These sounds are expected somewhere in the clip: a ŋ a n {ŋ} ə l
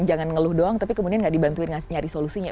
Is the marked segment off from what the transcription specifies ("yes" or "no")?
no